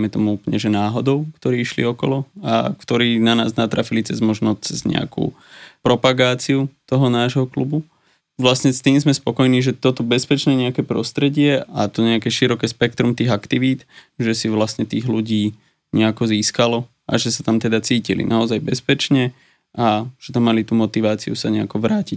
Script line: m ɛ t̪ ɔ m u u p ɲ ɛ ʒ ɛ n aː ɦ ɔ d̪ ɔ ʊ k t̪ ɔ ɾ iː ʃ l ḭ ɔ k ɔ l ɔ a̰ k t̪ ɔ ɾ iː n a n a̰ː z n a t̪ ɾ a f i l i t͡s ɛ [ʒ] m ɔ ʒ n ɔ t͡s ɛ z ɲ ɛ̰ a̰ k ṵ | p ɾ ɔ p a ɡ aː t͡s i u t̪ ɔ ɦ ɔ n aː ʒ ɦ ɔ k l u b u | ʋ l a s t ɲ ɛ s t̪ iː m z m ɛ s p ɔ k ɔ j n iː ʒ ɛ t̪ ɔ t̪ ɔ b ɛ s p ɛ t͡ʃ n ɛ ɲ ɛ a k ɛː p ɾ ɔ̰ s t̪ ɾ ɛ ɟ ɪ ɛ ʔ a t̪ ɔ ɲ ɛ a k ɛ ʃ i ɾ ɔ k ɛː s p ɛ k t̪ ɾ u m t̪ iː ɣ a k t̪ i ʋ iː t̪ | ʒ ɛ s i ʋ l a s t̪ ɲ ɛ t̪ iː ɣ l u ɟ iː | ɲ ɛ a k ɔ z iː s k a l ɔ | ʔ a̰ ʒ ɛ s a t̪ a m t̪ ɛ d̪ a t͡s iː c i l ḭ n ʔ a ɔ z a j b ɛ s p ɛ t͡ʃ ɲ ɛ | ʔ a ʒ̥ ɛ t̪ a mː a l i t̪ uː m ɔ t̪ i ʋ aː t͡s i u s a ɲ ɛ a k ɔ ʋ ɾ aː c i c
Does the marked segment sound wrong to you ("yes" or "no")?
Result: yes